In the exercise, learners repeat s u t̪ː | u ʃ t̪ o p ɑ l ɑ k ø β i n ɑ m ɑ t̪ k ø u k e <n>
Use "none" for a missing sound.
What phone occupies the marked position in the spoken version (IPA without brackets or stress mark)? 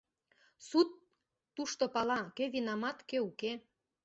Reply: none